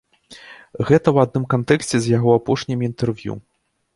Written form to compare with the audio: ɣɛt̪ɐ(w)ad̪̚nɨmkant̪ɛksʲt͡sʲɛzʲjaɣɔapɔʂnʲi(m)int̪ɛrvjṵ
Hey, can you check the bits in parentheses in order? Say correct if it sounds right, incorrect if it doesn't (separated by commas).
correct, correct